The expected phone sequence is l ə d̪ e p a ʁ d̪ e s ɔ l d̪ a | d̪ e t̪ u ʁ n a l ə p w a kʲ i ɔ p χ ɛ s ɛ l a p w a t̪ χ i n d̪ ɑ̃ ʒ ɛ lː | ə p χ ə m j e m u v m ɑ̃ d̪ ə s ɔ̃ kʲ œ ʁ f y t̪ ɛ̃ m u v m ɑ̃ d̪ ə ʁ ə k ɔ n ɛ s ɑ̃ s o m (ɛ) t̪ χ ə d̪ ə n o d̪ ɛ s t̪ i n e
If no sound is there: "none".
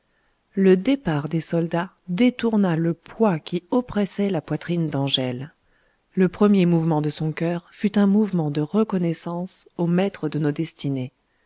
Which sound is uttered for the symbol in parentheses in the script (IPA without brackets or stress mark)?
ɛ